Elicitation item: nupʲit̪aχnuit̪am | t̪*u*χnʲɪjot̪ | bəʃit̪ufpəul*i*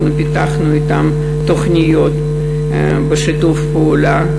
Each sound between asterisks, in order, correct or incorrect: incorrect: o, incorrect: a

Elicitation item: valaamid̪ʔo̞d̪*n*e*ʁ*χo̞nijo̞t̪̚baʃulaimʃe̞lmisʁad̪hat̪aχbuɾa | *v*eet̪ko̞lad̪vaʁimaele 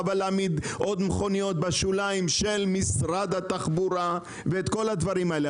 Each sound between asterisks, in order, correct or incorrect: incorrect: m, incorrect: none, correct

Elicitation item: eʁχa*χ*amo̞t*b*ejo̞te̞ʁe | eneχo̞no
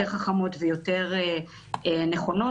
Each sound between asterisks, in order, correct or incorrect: correct, incorrect: v

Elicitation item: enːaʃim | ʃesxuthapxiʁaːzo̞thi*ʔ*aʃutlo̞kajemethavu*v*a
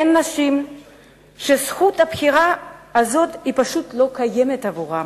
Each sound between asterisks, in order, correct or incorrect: incorrect: p, incorrect: ʁ

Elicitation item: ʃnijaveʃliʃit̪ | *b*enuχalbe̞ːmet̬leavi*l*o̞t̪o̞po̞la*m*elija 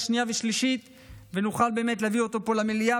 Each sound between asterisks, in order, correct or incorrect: incorrect: v, incorrect: none, correct

